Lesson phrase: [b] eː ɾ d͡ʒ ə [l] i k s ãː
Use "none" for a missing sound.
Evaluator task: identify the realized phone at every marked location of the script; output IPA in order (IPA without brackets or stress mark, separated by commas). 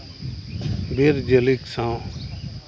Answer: b, l